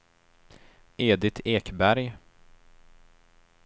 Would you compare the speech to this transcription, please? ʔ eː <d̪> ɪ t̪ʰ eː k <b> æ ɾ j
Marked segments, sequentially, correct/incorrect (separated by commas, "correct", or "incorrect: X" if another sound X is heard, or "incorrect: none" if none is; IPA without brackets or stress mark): correct, correct